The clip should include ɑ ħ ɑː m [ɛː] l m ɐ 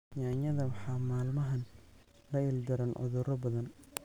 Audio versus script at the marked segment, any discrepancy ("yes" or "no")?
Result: yes